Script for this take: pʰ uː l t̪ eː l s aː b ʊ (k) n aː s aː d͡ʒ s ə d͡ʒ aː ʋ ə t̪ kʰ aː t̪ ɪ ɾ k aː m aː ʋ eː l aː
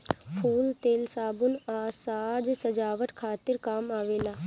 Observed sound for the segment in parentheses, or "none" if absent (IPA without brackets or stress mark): none